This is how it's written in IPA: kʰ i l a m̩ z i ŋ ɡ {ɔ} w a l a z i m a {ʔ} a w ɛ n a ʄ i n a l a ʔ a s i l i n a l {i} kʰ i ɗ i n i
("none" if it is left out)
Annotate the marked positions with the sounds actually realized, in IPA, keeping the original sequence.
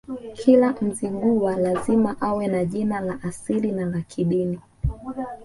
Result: u, ʔ, a

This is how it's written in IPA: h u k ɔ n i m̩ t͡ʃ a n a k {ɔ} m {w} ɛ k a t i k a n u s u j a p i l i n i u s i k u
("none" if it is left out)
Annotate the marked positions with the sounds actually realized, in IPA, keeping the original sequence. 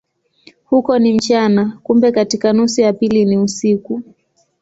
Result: u, b

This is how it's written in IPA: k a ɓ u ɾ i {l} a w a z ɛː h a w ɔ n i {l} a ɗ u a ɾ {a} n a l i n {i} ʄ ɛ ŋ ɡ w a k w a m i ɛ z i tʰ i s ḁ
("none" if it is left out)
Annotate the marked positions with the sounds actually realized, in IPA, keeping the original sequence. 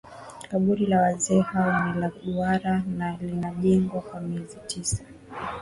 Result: l, l, a, a

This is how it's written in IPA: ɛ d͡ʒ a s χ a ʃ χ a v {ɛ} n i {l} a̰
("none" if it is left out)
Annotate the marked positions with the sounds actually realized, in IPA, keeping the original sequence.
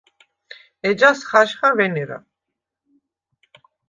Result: ɛ, ɾ

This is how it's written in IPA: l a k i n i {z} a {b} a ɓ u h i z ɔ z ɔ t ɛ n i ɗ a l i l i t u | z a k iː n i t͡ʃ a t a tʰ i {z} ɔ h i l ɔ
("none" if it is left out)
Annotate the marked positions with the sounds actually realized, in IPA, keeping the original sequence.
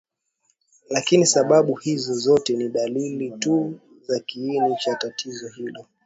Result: s, ɓ, z

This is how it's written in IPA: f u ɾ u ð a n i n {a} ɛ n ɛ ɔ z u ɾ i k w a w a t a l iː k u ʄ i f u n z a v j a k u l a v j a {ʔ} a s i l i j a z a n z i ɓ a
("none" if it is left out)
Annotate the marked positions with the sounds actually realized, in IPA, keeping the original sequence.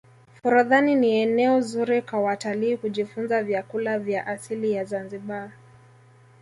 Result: i, ʔ

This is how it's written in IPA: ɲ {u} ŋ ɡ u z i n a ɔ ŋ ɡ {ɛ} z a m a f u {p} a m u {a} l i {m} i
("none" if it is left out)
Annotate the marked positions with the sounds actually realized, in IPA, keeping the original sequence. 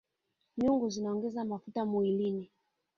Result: u, ɛ, t, i, n

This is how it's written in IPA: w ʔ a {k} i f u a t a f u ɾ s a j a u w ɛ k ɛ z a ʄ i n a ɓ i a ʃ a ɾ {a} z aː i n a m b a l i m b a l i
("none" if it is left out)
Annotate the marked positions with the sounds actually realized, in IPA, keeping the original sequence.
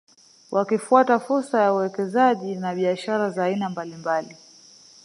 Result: k, a

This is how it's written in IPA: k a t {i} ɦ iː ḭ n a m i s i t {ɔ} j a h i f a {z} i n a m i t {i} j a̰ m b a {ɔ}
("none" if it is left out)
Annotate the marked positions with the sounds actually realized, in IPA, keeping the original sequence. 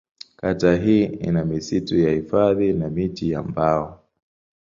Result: a, u, ð, i, ɔ

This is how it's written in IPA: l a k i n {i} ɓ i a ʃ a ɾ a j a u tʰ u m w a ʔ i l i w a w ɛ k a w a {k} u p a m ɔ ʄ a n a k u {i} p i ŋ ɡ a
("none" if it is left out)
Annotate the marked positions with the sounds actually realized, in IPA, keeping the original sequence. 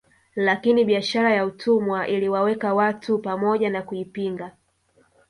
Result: i, t, i

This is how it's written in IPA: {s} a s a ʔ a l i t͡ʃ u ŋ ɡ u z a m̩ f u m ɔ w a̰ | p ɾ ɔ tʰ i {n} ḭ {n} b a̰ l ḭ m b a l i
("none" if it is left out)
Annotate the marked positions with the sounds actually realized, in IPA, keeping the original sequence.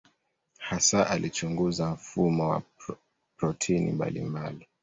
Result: h, n, m

